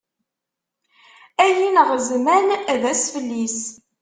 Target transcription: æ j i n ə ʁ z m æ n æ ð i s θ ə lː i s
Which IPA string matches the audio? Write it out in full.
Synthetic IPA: æ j i n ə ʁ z m æ n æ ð æ s f ə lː i s